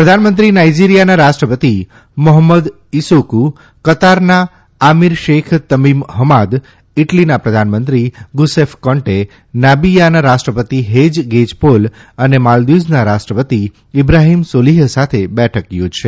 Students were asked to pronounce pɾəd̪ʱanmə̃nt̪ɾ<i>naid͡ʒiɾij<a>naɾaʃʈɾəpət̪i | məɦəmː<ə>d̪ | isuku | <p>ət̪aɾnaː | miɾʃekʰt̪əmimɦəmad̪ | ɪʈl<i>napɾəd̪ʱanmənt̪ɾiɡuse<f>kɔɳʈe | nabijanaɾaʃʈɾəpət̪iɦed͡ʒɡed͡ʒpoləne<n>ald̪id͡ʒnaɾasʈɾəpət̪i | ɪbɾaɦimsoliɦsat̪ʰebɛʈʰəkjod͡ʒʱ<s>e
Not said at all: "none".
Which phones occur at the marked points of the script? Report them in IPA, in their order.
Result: i, a, ə, k, i, f, m, ʃ

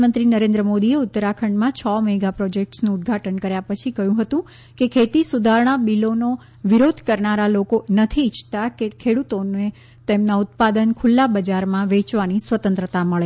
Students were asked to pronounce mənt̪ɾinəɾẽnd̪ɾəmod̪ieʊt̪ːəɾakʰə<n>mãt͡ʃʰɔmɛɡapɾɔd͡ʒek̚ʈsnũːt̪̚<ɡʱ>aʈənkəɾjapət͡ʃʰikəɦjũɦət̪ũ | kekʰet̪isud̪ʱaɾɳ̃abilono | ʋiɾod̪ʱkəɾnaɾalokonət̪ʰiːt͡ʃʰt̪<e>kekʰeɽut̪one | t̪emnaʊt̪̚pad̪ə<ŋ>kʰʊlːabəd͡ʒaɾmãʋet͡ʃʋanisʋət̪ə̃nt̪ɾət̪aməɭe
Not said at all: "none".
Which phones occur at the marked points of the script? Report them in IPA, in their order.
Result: ɳ, ɡʱ, a, n

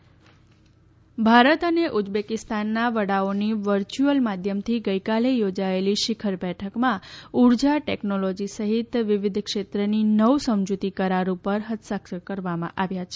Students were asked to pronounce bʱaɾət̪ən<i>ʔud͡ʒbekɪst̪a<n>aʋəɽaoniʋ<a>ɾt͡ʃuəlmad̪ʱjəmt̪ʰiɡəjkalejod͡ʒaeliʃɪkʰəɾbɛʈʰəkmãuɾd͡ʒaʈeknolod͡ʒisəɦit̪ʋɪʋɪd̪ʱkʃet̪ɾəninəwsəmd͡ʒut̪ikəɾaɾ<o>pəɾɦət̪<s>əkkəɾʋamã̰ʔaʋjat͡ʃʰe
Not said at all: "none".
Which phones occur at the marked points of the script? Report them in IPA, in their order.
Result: e, nː, ə, u, s

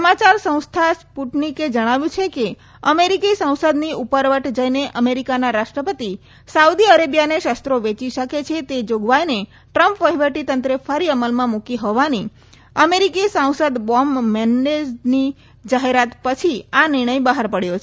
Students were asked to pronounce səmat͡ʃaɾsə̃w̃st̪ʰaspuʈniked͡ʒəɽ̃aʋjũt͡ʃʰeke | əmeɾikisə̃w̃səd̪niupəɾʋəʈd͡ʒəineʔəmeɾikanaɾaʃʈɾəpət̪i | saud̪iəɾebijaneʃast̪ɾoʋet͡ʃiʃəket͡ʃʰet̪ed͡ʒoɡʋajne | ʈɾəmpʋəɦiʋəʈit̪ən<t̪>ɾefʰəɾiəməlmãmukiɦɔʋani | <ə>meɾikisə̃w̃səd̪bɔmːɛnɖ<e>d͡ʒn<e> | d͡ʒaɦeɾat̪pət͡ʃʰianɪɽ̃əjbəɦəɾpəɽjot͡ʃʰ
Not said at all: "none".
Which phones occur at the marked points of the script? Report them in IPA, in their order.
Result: t̪, ə, e, i

